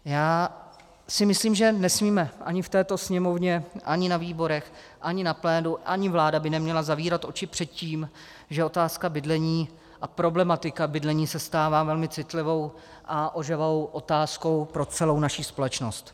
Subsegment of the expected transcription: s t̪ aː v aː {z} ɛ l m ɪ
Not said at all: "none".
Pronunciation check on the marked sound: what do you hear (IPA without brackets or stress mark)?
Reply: v